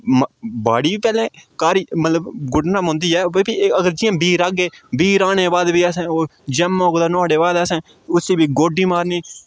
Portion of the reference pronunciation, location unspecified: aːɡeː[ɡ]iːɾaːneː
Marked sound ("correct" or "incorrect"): incorrect